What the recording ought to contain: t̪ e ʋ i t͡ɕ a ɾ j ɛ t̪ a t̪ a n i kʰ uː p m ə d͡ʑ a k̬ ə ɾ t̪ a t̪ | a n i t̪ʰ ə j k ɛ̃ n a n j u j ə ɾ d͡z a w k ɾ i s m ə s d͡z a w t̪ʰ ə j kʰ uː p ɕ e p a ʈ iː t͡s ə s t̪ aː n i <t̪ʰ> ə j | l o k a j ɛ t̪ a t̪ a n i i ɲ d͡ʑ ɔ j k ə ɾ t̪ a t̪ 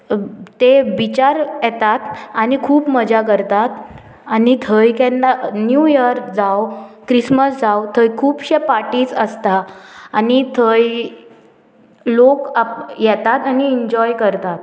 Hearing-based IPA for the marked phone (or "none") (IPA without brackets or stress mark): t̪ʰ